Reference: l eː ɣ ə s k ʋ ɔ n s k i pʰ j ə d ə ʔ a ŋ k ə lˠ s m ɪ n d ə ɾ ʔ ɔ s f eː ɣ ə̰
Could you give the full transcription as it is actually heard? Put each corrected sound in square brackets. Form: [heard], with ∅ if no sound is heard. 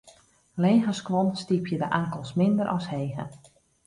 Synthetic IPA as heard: l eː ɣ ə s k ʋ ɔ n s [t] i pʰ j ə d ə ʔ a ŋ k ə lˠ s m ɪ n d ə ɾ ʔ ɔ s [h] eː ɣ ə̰